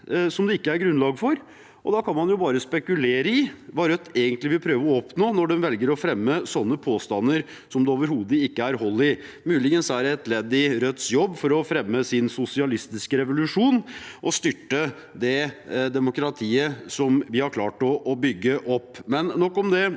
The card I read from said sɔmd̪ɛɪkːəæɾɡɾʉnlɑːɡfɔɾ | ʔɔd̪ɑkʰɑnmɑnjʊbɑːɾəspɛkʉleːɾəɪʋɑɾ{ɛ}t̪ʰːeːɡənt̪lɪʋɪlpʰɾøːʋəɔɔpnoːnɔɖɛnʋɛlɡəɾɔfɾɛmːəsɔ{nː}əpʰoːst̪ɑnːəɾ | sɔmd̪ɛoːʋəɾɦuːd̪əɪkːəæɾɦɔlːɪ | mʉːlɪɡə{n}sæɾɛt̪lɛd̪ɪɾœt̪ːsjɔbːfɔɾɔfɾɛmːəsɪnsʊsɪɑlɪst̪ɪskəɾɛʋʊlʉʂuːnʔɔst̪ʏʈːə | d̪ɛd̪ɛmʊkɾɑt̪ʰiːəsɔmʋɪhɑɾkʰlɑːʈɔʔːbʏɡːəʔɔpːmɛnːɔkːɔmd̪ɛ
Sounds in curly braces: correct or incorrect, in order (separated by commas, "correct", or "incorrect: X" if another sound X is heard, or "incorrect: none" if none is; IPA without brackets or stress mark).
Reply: incorrect: œ, correct, correct